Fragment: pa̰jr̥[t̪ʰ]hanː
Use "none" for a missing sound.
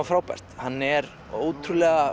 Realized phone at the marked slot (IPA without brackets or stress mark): t̪